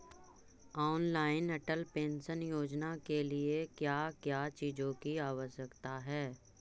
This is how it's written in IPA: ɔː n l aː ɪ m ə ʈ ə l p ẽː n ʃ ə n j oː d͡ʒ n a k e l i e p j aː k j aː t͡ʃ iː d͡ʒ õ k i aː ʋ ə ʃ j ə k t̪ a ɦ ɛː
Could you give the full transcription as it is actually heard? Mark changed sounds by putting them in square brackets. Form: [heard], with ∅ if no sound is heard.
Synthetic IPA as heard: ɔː n l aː ɪ [n] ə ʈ ə l p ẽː n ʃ ə n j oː d͡ʒ n a k e l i e [k] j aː k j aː t͡ʃ iː d͡ʒ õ k i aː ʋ ə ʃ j ə k t̪ a ɦ ɛː